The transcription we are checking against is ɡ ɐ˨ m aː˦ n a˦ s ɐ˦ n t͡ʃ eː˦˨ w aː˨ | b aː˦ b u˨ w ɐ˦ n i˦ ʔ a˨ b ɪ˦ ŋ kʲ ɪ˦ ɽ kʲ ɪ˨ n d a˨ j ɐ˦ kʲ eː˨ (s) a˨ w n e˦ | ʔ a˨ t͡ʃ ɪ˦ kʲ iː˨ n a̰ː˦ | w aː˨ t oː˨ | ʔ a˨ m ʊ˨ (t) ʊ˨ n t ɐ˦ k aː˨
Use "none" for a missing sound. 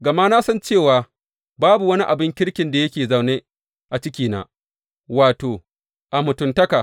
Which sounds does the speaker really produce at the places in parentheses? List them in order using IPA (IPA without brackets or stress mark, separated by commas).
z, t